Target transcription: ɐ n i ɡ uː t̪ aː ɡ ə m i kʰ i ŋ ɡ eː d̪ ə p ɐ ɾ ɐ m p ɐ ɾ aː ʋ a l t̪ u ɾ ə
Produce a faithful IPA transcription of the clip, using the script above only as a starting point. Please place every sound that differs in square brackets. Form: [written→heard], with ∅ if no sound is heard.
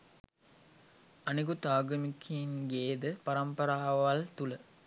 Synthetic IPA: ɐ n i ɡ [uː→u] t̪ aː ɡ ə m i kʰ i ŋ ɡ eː d̪ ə p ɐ ɾ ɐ m p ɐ ɾ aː ʋ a l t̪ u [ɾ→l] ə